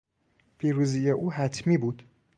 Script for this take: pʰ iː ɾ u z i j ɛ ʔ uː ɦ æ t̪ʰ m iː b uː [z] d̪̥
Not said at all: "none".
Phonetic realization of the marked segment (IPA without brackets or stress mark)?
none